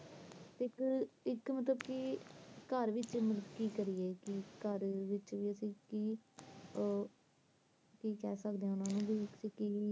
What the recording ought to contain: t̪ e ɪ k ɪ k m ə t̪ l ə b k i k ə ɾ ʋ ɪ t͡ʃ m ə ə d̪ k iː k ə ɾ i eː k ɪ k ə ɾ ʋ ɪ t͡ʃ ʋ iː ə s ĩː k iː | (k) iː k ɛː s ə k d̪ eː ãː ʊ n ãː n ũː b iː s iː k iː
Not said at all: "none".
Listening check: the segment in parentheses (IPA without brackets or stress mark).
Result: k